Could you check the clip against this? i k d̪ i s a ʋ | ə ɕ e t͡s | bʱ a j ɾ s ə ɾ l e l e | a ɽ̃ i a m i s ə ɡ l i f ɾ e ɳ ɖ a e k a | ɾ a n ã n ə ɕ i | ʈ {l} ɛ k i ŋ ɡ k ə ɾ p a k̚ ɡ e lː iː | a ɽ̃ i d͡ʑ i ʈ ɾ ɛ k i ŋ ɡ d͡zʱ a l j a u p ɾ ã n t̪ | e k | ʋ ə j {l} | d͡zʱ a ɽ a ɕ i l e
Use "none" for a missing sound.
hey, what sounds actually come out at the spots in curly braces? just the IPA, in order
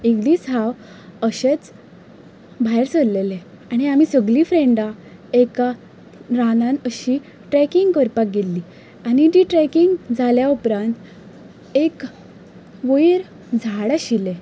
ɾ, ɾ

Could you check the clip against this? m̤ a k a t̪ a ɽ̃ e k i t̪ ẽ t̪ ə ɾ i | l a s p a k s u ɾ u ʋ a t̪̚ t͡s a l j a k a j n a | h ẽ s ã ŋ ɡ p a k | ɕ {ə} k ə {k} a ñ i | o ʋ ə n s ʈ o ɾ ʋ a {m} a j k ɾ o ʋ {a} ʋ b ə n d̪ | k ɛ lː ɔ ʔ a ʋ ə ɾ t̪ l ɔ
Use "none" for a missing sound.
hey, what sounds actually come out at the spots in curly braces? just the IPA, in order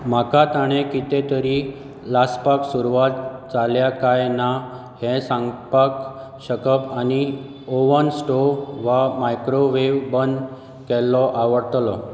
ə, p, m, e

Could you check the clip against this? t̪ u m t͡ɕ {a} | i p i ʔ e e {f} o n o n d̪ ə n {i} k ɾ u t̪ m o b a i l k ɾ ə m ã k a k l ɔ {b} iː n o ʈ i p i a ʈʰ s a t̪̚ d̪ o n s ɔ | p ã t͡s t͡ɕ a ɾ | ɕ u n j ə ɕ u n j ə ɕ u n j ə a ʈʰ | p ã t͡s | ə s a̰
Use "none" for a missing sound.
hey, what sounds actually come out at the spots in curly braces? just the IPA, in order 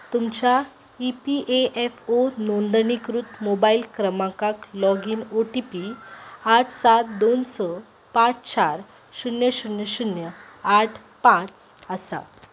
a, f, i, ɡ

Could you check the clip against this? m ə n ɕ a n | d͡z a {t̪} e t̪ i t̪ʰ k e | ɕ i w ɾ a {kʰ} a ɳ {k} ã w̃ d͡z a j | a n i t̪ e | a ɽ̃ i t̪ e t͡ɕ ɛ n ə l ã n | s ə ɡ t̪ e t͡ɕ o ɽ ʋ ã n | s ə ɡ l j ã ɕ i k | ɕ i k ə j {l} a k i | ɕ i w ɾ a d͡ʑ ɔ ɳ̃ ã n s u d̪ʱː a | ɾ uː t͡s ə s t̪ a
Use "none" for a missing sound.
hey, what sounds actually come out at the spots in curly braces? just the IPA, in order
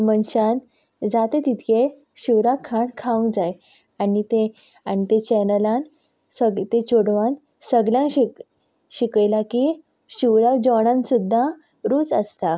t̪, kʰ, kʰ, l

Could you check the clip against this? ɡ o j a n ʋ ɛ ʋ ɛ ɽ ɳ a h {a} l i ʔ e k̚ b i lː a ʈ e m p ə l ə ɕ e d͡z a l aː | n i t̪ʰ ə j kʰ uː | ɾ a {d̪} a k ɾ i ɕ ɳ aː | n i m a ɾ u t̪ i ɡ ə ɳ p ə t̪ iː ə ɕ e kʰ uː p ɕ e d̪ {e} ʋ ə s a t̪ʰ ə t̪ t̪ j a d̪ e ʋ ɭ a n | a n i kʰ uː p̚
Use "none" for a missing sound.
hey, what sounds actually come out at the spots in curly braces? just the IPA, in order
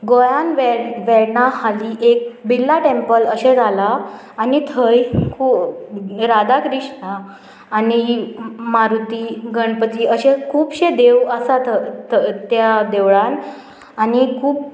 a, d̪, e

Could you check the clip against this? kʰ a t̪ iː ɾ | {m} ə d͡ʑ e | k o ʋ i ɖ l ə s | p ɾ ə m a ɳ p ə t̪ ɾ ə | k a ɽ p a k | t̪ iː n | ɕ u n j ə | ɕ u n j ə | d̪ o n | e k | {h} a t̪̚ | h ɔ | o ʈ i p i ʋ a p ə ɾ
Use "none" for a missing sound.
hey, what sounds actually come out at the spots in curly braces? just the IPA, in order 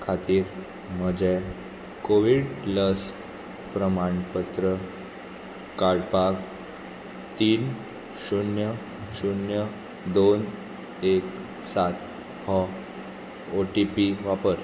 m, s

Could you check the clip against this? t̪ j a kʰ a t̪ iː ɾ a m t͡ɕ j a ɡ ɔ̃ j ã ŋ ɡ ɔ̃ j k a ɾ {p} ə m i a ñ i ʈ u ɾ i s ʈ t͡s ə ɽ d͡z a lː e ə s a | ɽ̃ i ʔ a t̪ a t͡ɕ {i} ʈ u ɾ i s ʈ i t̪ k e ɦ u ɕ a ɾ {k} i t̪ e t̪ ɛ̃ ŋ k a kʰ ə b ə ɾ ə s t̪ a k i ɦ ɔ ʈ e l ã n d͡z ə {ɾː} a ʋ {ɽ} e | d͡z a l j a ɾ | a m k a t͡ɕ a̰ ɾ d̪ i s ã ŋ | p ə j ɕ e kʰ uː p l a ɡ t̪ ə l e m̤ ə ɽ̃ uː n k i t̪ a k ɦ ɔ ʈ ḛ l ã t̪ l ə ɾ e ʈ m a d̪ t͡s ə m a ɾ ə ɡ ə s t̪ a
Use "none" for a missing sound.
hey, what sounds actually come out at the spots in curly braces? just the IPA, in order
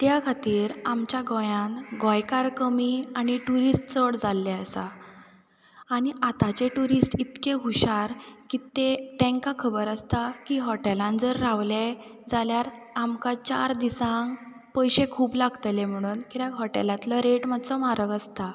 k, e, k, ɾː, l

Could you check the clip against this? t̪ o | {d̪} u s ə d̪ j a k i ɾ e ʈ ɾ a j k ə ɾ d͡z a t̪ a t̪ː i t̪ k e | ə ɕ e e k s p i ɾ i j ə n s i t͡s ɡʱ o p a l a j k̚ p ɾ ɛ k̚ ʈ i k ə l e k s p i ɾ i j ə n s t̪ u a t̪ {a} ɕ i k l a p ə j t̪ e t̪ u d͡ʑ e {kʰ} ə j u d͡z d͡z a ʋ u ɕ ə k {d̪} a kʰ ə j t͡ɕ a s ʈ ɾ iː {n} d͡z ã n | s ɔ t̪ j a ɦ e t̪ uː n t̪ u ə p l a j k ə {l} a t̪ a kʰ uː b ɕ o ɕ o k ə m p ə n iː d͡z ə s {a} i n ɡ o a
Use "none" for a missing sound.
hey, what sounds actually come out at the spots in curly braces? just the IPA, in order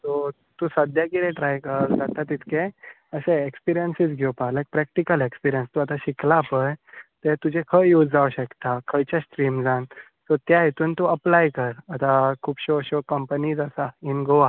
t̪, a, kʰ, t̪, m, ɾ, a

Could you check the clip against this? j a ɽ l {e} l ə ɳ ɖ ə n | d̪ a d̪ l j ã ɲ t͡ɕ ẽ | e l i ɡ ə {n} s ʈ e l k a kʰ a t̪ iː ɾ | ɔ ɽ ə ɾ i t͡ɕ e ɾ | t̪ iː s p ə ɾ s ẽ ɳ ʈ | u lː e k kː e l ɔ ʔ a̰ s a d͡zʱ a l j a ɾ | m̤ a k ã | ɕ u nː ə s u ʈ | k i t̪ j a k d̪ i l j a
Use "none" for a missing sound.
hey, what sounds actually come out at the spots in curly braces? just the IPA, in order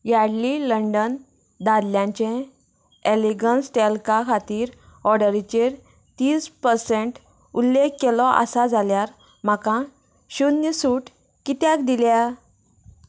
i, n

